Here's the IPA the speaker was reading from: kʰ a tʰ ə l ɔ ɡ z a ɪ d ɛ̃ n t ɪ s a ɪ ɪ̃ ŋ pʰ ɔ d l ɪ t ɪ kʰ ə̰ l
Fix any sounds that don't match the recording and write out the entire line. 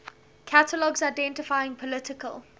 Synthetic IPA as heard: kʰ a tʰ ə l ɔ ɡ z a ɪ d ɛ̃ n t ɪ f a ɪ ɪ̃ ŋ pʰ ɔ l ɪ t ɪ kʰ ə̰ l